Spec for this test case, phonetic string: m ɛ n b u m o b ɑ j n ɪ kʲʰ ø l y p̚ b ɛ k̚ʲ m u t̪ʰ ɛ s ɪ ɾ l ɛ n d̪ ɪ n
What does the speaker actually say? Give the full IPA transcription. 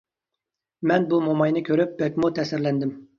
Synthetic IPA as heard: m ɛ n b u m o m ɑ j n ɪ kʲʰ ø ɾ y p̚ b ɛ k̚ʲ m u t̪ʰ ɛ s ɪ ɾ l ɛ n d̪ ɪ m